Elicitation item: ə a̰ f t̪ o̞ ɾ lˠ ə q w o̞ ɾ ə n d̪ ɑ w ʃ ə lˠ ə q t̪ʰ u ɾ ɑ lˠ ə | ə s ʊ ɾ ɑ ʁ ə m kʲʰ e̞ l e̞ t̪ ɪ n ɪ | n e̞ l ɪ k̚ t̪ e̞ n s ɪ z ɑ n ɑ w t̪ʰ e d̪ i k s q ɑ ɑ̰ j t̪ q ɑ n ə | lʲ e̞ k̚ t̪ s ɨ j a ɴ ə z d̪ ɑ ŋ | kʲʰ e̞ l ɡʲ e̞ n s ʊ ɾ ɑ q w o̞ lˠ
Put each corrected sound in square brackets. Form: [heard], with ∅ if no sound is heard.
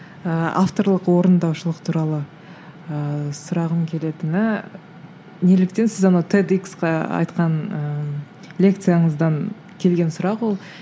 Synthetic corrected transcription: ə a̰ f t̪ o̞ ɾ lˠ ə q w o̞ ɾ ə n d̪ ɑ w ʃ ə lˠ ə q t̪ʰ u ɾ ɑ lˠ ə | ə s ʊ ɾ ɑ ʁ ə m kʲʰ e̞ l e̞ t̪ ɪ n ɪ | n e̞ l ɪ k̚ t̪ e̞ n s ɪ z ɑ n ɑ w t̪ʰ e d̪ i k s q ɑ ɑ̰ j t̪ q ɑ n ə | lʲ e̞ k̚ t̪ s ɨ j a ɴ ə z d̪ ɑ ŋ | kʲʰ e̞ l ɡʲ e̞ n s ʊ ɾ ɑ q w o̞ lˠ